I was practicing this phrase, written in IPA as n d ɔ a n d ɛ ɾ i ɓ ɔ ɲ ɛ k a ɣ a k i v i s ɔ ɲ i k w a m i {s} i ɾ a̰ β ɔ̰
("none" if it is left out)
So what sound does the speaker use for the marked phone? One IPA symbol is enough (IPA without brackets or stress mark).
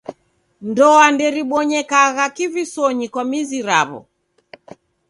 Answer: z